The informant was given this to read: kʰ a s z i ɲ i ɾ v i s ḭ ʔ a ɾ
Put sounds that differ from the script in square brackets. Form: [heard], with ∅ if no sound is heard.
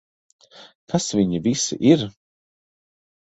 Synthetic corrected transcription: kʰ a s [v] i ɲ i [∅] v i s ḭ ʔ [i] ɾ